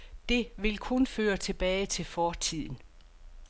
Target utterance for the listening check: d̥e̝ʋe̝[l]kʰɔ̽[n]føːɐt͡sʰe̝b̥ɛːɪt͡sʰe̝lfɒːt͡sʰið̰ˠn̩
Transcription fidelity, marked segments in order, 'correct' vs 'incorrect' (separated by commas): correct, correct